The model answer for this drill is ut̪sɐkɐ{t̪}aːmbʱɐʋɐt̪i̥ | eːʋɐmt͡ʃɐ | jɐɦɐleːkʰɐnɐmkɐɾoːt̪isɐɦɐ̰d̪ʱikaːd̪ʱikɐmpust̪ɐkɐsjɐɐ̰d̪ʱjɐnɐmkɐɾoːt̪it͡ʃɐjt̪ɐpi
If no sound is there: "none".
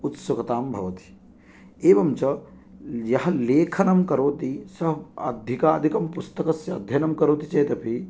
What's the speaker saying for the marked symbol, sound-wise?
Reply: t̪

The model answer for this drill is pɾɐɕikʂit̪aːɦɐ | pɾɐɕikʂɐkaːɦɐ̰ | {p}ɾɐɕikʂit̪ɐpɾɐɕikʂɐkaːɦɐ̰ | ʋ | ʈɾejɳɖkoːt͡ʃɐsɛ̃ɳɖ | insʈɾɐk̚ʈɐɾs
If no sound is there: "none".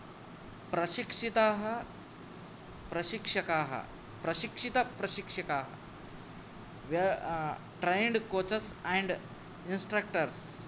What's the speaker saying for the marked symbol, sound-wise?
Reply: p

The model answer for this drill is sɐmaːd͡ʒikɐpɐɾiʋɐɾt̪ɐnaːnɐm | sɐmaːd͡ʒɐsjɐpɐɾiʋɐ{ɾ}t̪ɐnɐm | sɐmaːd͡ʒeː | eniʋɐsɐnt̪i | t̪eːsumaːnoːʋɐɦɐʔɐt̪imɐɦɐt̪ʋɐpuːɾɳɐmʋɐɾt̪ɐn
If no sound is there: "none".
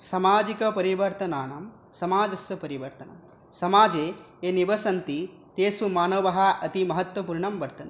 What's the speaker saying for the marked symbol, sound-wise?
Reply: ɾ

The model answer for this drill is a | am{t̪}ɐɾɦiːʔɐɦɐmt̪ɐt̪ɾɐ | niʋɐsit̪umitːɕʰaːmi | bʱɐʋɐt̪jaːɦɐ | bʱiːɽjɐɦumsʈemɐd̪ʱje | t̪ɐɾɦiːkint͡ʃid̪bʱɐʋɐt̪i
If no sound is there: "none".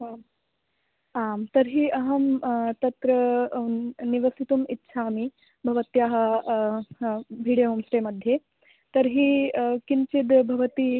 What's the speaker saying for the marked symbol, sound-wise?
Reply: t̪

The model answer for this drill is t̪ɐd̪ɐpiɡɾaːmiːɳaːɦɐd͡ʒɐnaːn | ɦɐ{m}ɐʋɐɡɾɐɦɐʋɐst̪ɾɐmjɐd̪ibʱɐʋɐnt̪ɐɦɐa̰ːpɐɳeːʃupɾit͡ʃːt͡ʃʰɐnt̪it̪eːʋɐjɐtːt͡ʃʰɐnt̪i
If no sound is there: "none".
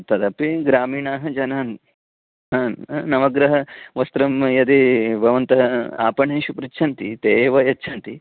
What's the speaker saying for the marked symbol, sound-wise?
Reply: n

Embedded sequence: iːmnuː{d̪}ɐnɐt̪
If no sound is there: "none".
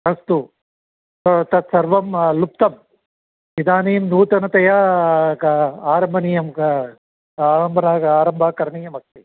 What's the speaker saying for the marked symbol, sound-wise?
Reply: t̪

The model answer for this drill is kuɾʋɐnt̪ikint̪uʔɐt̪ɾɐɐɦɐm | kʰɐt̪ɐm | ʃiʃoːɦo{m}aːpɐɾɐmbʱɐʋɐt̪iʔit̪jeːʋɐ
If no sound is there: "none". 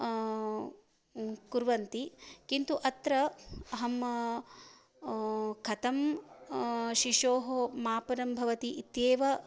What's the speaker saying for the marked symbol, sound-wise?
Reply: m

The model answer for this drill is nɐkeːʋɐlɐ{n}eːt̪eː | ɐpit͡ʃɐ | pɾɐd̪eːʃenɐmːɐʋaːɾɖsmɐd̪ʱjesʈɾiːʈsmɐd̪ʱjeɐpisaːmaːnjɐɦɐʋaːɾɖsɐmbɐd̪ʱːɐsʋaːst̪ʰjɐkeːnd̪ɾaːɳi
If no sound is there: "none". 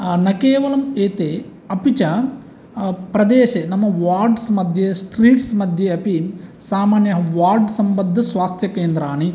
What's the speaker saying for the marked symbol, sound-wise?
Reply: m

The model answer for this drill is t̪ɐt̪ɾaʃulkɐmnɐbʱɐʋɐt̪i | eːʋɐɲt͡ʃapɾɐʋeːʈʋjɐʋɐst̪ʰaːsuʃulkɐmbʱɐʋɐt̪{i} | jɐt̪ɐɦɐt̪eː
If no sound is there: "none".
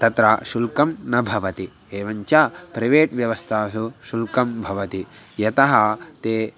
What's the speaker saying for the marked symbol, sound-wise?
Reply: i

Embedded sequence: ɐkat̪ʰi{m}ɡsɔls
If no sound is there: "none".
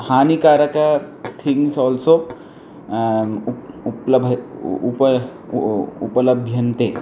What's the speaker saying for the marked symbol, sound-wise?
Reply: ŋ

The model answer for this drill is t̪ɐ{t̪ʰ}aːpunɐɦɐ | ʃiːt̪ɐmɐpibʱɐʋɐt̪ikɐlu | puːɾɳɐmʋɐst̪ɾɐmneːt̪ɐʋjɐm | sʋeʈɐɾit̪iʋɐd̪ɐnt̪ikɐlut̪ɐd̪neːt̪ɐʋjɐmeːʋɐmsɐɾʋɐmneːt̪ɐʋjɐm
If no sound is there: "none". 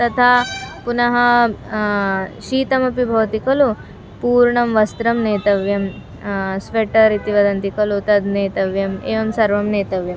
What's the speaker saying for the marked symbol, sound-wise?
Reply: t̪ʰ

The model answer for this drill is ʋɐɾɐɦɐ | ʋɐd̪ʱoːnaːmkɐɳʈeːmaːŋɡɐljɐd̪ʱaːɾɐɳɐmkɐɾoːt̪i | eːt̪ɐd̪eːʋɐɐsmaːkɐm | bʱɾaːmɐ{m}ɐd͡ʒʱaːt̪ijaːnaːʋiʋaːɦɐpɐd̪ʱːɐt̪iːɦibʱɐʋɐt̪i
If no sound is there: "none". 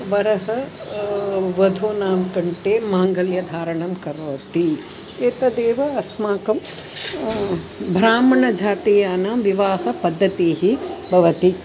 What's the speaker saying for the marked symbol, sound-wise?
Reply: ɳ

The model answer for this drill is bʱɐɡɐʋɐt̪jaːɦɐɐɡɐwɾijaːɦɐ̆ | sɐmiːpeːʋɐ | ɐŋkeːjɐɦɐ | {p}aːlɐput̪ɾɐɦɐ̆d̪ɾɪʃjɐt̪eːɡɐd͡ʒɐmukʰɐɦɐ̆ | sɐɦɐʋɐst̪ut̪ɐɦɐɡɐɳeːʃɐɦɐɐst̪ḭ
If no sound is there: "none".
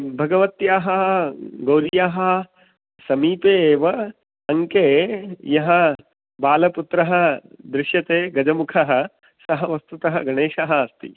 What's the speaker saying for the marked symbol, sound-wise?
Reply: b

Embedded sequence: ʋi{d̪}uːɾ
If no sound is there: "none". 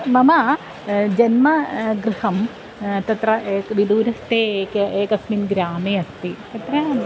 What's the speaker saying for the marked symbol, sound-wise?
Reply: d̪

